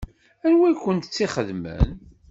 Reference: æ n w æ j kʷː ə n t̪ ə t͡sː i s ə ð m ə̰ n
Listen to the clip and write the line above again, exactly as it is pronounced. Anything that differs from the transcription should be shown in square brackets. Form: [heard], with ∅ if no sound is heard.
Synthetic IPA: æ n w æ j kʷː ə n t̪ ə t͡sː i [χ] ə ð m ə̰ n